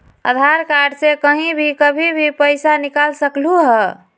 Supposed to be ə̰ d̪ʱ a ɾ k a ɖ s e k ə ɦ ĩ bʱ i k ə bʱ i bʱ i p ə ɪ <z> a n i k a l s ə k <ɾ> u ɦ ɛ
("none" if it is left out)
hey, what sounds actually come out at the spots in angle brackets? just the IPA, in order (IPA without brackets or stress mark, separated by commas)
s, l